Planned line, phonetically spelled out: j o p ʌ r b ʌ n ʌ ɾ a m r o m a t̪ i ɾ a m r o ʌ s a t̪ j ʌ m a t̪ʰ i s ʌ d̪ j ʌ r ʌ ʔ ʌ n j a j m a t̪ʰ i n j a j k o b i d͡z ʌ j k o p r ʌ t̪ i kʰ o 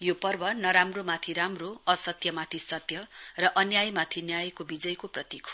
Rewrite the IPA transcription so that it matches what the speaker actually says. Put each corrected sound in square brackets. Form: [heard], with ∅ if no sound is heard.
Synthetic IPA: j o p ʌ r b ʌ n ʌ ɾ a m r o m a [t̪ʰ] i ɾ a m r o ʌ s [ʌ] t̪ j ʌ m a t̪ʰ i s ʌ [t̪] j ʌ r ʌ ʔ ʌ n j a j m a t̪ʰ i n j a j k o b i d͡z ʌ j k o p r ʌ t̪ i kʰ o